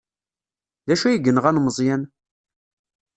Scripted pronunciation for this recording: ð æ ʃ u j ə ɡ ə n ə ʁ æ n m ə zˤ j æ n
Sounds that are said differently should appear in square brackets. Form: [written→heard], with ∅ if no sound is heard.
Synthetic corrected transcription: ð æ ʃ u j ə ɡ ə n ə ʁ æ n m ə zˤ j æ n